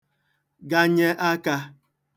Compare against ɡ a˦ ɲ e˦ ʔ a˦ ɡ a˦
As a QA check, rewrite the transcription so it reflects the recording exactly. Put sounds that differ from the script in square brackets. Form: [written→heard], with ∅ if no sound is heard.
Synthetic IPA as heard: ɡ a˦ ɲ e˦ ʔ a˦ [ɡ→k] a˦